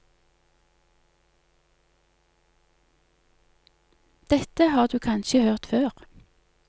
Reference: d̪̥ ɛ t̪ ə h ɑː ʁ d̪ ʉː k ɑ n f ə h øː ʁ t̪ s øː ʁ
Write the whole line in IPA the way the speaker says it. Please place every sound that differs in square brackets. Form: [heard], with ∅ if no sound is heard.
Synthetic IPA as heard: d̪̥ ɛ t̪ ə h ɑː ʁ d̪ ʉː [kʰ] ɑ n [ʃ] ə h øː ʁ t̪ [f] øː ʁ